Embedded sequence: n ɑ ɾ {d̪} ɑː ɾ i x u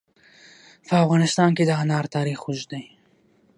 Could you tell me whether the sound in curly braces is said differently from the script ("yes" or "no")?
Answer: yes